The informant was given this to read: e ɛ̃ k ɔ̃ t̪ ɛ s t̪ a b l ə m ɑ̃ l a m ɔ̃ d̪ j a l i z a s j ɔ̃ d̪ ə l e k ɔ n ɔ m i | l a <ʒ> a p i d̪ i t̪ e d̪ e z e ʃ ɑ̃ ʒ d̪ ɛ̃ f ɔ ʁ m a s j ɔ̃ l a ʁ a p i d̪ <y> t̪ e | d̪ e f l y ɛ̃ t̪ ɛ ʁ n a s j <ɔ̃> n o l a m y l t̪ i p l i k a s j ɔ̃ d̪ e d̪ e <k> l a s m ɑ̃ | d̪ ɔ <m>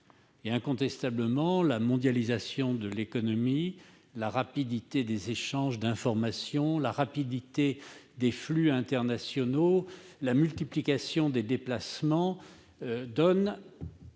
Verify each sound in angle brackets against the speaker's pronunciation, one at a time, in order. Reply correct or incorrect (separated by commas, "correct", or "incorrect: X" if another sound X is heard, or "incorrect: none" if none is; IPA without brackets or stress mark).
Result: incorrect: ʁ, incorrect: i, incorrect: ɔ, incorrect: p, incorrect: n